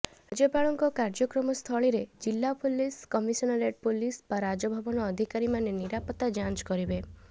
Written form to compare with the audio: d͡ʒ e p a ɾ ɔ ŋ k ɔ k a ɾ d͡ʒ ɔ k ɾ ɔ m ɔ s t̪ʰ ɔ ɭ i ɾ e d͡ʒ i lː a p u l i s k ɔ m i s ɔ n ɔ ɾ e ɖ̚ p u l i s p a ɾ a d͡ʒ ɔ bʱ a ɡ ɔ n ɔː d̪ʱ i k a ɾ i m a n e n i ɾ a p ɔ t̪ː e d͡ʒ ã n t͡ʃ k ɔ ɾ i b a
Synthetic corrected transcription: d͡ʒ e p a ɭ ɔ ŋ k ɔ k a ɾ d͡ʒ ɔ k ɾ ɔ m ɔ s t̪ʰ ɔ ɭ i ɾ e d͡ʒ i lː a p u l i s k ɔ m i s ɔ n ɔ ɾ e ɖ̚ p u l i s p a ɾ a d͡ʒ ɔ bʱ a b ɔ n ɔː d̪ʱ i k a ɾ i m a n e n i ɾ a p ɔ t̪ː a d͡ʒ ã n t͡ʃ k ɔ ɾ i b e